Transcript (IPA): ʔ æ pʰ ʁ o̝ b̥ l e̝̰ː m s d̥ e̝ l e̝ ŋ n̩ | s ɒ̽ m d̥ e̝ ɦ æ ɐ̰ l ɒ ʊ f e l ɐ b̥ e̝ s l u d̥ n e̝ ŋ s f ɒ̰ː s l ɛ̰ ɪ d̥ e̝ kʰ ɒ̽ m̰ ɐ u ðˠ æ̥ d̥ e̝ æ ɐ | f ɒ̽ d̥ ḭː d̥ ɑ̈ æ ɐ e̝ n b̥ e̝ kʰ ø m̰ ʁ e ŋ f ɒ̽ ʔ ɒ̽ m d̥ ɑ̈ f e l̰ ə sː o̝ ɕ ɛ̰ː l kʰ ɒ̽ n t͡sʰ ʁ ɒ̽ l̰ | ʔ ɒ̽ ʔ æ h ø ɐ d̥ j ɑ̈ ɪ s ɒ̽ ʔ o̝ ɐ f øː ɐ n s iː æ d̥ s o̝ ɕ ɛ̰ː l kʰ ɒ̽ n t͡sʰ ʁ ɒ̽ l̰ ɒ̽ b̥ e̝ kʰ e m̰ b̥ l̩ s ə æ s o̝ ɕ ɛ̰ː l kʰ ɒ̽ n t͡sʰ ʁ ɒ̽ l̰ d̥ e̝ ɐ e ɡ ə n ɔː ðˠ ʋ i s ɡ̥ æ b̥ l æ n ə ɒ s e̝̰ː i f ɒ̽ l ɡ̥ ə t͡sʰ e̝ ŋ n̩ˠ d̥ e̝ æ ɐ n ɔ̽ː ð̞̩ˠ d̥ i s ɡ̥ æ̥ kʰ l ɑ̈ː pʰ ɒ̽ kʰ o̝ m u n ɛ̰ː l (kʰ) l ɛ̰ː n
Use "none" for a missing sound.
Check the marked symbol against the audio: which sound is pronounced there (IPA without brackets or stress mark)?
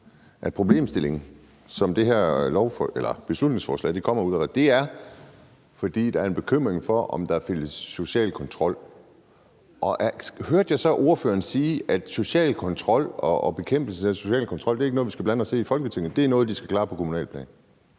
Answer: pʰ